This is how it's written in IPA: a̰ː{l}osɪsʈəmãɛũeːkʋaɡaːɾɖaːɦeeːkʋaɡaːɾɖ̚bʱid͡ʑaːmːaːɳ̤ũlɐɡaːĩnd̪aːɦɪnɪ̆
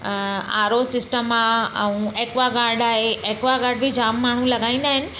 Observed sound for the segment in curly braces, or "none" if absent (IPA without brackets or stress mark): ɾ